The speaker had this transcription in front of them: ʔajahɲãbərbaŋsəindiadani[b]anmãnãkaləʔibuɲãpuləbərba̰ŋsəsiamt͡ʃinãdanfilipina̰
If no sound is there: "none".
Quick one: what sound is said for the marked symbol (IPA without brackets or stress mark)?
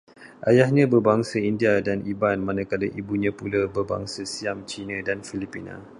b